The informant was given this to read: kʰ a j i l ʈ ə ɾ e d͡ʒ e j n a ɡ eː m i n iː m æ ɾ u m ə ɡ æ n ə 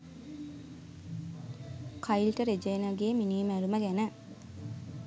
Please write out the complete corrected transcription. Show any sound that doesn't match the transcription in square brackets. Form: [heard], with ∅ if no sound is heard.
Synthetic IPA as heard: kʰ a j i l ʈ ə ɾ e d͡ʒ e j n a ɡ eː m i n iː m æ ɾ u m ə ɡ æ n ə